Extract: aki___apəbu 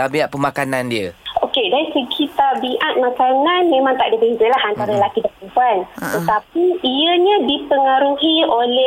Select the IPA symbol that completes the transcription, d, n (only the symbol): d